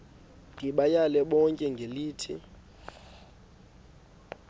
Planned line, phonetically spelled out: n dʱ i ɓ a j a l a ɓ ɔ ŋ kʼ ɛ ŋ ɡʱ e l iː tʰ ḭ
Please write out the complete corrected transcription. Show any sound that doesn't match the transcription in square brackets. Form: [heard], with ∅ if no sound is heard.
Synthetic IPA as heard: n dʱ i ɓ a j a l [ɛ] ɓ ɔ ŋ kʼ ɛ ŋ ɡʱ e l iː tʰ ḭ